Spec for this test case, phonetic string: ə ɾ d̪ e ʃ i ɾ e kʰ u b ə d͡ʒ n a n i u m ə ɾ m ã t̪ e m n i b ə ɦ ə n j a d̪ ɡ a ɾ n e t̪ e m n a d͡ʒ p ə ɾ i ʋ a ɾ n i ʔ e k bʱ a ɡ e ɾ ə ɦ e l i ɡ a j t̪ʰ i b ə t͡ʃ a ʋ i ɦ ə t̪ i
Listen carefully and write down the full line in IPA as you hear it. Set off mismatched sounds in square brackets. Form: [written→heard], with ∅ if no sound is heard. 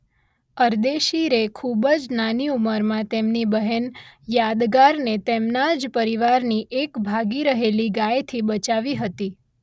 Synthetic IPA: ə ɾ d̪ e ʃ i ɾ e kʰ u b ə d͡ʒ n a n i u m ə ɾ m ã t̪ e m n i b ə ɦ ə n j a d̪ ɡ a ɾ n e t̪ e m n a d͡ʒ p ə ɾ i ʋ a ɾ n i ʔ e k bʱ a ɡ [e→i] ɾ ə ɦ e l i ɡ a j t̪ʰ i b ə t͡ʃ a ʋ i ɦ ə t̪ i